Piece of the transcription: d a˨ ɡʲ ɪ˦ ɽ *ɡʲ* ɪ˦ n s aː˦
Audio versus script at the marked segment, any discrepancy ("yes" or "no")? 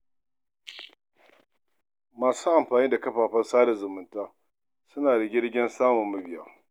no